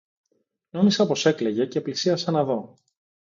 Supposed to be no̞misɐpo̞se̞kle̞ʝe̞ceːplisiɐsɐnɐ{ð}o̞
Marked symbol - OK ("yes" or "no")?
yes